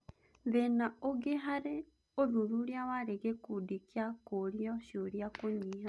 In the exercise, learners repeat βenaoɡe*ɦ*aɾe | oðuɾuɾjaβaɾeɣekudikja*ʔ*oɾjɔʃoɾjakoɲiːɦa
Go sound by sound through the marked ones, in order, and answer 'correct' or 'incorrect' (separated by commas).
correct, incorrect